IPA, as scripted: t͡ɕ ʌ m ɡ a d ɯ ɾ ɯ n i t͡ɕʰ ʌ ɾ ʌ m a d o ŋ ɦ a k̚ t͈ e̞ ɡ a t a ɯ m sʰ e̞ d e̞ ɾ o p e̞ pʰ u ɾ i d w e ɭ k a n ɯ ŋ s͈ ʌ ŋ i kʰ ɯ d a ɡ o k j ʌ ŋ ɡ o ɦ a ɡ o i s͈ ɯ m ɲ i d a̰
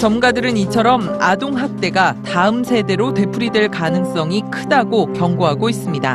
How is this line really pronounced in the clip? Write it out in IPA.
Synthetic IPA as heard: t͡ɕ ʌ m ɡ a d ɯ ɾ ɯ n i t͡ɕʰ ʌ ɾ ʌ m a d o ŋ ɦ a k̚ t͈ e̞ ɡ a t a ɯ m sʰ e̞ d e̞ ɾ o t e̞ pʰ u ɾ i d w e ɭ k a n ɯ ŋ s͈ ʌ ŋ i kʰ ɯ d a ɡ o k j ʌ ŋ ɡ o ɦ a ɡ o i s͈ ɯ m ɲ i d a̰